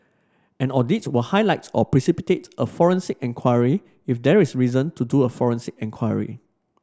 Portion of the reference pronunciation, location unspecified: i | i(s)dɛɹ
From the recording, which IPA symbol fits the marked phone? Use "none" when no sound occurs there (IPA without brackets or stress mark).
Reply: f